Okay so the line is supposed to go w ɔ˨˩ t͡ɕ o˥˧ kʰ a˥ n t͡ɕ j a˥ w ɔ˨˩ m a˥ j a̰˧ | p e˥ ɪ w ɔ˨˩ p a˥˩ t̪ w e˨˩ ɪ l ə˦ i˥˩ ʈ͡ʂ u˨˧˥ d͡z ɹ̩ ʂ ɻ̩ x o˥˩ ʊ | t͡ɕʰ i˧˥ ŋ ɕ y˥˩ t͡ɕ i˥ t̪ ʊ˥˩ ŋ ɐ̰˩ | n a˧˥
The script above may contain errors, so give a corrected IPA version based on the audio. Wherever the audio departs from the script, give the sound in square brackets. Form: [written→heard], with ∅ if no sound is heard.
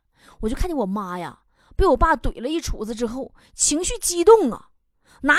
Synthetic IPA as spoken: w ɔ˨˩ t͡ɕ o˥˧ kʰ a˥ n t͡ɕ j [a˥→ɛ˥] w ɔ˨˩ m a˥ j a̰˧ | p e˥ ɪ w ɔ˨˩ p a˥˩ t̪ w e˨˩ ɪ l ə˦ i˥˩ [ʈ͡ʂ→ʈ͡ʂʰ] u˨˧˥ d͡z ɹ̩ [ʂ→ʈ͡ʂ] ɻ̩ x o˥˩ ʊ | t͡ɕʰ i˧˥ ŋ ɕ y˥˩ t͡ɕ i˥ t̪ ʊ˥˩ ŋ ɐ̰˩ | n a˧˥